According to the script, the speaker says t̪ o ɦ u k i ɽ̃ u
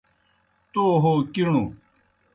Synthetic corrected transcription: t̪ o ɦ o k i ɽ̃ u